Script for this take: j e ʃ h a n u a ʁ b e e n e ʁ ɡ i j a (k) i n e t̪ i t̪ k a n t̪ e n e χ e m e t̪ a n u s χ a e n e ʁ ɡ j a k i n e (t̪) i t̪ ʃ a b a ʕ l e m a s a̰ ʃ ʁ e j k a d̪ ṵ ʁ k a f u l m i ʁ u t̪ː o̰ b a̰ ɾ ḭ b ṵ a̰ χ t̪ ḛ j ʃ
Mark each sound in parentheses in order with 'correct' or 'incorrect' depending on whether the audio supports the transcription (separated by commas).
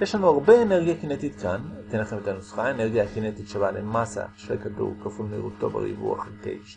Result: correct, correct